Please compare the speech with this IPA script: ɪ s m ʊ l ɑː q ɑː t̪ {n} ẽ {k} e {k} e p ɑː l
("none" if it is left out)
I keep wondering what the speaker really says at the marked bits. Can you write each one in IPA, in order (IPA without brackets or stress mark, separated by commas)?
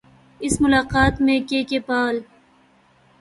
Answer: m, k, k